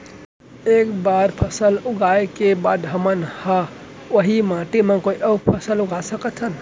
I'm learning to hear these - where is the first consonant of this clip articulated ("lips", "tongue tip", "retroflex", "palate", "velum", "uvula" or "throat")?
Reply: velum